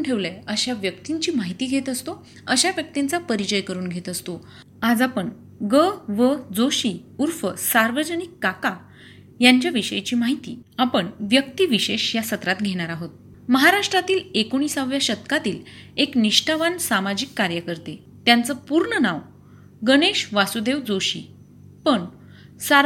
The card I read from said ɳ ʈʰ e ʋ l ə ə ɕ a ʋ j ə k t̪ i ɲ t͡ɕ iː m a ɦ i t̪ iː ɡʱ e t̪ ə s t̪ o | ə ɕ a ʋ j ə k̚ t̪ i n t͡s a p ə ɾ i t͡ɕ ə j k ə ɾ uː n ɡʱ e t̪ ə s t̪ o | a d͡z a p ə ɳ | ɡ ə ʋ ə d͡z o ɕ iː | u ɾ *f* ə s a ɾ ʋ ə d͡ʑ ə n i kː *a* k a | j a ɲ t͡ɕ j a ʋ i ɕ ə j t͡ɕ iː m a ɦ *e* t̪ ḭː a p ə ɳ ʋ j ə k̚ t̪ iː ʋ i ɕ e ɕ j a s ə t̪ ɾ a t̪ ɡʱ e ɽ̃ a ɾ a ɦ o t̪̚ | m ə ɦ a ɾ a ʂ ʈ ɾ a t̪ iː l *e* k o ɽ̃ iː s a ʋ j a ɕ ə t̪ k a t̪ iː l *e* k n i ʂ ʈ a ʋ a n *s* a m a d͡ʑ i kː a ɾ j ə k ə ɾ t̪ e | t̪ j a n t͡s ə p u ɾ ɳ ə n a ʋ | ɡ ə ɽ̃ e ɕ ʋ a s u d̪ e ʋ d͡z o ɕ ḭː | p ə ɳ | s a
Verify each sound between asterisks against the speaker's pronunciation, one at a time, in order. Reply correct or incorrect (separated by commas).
correct, correct, incorrect, correct, correct, correct